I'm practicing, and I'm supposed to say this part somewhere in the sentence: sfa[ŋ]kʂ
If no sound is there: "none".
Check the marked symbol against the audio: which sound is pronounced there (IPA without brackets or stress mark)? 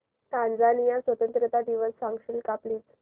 ŋ